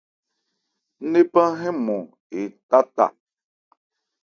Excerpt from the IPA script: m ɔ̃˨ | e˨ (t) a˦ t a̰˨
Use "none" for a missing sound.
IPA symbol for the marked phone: t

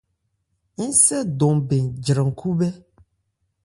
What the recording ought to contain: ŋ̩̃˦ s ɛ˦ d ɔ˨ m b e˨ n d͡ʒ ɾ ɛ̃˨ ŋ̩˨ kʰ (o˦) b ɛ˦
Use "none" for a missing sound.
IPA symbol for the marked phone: u˦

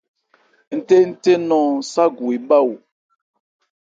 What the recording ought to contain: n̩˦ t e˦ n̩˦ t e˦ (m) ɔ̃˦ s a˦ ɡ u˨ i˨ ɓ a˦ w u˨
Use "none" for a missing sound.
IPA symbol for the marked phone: n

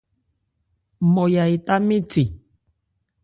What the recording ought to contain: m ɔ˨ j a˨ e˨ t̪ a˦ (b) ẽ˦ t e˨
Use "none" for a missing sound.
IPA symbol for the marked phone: m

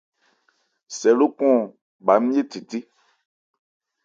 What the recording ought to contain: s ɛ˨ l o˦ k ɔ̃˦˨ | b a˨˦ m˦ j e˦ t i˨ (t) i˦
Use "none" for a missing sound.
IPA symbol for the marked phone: t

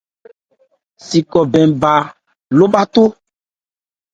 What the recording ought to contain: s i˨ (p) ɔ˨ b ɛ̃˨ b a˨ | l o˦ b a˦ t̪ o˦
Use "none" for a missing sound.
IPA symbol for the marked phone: k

